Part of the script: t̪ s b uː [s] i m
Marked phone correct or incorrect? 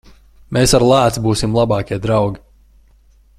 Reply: correct